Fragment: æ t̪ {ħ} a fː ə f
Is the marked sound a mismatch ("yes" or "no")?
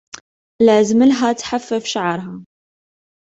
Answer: no